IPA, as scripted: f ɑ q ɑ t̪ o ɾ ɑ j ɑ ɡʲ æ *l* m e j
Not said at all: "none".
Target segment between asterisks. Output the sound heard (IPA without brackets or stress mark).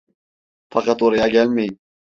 l